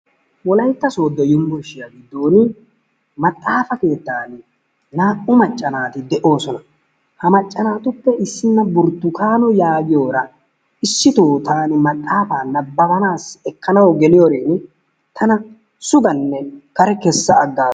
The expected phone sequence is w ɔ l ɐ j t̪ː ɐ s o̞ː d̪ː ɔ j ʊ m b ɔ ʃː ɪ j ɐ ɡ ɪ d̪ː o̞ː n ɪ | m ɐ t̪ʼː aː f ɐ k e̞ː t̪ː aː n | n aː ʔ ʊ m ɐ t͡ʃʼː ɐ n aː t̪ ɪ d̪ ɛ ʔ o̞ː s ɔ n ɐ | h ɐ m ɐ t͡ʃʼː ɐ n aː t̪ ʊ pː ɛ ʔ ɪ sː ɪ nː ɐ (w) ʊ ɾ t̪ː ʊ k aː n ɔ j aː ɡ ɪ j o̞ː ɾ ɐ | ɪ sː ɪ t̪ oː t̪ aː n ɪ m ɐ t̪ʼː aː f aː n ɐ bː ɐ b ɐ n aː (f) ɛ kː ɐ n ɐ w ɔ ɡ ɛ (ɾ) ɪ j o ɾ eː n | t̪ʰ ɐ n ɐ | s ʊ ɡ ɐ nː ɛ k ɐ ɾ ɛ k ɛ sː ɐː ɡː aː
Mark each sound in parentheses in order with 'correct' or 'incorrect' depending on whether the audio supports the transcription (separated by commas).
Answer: incorrect, incorrect, incorrect